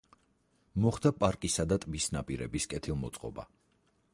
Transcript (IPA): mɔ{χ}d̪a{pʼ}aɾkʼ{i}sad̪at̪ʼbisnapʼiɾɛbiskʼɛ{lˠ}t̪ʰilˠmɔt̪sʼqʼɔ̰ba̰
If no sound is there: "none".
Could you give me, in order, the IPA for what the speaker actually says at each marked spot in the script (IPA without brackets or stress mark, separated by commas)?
χ, pʼ, i, none